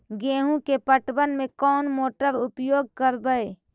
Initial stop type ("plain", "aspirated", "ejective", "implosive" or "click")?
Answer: plain